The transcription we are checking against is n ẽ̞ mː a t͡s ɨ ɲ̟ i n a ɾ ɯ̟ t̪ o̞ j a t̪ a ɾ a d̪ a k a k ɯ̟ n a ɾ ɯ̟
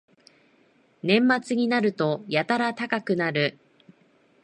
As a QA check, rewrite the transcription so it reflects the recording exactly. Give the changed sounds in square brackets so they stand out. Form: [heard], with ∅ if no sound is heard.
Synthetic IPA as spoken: n ẽ̞ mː a t͡s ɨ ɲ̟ i n a ɾ ɯ̟ t̪ o̞ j a t̪ a ɾ a [t̪] a k a k ɯ̟ n a ɾ ɯ̟